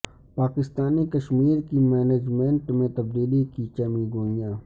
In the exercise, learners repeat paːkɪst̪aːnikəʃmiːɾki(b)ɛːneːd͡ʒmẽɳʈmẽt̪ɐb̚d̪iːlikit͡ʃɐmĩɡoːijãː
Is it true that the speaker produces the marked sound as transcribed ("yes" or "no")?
no